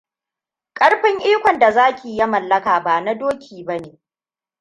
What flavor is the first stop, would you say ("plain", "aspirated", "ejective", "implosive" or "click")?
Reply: ejective